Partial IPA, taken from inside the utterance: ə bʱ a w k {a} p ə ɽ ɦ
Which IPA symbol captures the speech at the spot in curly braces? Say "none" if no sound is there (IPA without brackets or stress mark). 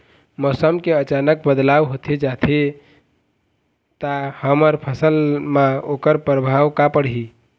a